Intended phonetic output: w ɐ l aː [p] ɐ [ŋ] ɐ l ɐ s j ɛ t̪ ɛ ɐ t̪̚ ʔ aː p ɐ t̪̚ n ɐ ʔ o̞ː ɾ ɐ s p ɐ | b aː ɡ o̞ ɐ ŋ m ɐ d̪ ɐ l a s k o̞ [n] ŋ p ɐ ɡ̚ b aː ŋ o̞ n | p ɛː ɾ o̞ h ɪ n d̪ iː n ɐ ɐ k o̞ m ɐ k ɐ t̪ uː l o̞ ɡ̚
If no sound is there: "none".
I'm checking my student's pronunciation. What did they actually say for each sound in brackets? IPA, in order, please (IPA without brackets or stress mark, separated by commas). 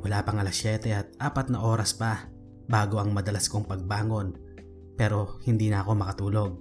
p, ŋ, none